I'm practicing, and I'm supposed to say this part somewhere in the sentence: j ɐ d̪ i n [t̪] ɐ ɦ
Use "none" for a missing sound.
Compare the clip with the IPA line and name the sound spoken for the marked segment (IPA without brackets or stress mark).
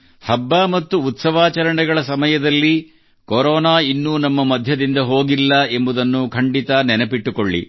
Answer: d̪